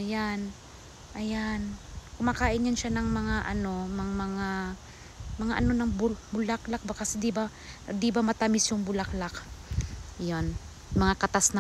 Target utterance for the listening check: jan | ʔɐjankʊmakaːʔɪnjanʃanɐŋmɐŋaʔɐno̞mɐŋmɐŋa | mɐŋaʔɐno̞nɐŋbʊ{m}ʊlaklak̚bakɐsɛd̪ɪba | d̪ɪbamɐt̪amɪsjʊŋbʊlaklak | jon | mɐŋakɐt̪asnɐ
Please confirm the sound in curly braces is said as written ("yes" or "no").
no